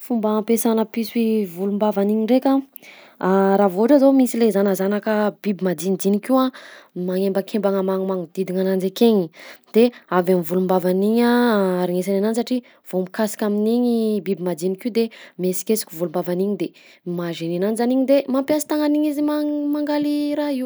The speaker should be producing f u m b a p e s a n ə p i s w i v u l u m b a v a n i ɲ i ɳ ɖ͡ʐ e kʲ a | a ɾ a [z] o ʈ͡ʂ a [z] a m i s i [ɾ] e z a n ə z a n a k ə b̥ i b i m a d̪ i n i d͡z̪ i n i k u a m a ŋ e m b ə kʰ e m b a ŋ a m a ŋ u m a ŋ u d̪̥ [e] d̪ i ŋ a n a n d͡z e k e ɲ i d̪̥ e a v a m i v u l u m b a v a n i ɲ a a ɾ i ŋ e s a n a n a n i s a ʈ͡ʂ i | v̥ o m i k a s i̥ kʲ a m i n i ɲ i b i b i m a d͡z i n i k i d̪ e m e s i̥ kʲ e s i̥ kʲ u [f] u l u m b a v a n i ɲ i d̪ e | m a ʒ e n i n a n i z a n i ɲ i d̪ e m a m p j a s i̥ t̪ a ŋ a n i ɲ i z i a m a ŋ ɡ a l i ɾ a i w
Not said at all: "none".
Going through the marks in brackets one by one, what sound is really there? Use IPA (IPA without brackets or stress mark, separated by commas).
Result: v, z, l, i, v